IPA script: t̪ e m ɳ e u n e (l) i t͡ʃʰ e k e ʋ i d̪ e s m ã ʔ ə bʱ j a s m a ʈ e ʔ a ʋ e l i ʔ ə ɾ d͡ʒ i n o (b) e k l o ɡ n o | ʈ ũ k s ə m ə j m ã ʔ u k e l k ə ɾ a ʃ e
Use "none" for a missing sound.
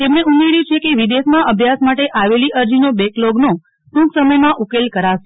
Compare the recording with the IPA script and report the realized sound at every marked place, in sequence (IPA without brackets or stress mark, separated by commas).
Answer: ɾ, b